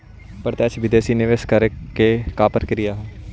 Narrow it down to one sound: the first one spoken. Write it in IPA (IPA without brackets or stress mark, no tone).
p